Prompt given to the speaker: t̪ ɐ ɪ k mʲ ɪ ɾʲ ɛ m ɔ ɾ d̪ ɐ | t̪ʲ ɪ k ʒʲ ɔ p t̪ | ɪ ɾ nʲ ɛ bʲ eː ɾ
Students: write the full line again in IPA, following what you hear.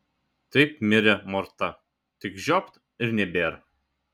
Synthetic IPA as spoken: t̪ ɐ ɪ p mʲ ɪ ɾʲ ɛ m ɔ ɾ t̪ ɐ | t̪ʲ ɪ k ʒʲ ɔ p t̪ | ɪ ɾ nʲ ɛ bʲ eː ɾ